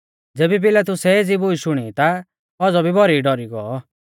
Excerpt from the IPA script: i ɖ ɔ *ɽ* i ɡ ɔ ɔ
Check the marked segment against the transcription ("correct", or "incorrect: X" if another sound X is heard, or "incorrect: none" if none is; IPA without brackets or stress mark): incorrect: ɾ